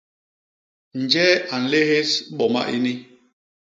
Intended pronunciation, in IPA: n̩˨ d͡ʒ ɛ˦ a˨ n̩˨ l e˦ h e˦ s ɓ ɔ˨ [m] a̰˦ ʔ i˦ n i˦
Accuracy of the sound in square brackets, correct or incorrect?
correct